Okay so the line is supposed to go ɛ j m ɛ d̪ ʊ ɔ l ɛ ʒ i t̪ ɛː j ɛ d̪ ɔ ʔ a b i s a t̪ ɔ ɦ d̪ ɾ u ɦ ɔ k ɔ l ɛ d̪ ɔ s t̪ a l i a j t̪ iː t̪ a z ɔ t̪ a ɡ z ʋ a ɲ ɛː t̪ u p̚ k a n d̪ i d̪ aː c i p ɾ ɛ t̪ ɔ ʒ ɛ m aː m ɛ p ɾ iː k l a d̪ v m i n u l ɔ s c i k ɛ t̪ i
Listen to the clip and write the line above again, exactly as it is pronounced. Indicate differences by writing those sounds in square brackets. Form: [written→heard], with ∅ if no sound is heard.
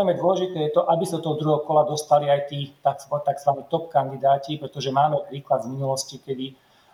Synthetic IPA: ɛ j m ɛ d̪ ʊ ɔ l ɛ ʒ i t̪ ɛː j ɛ [d̪→t̪] ɔ ʔ a b i s a t̪ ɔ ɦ d̪ ɾ u ɦ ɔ k ɔ l [ɛ→a] d̪ ɔ s t̪ a l i a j t̪ iː t̪ a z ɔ t̪ a ɡ z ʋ a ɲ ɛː t̪ [u→ɔ] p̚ k a n d̪ i d̪ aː c i p ɾ ɛ t̪ ɔ ʒ ɛ m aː m ɛ p ɾ iː k l a d̪ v m i n u l ɔ s c i k ɛ [t̪→d̪] i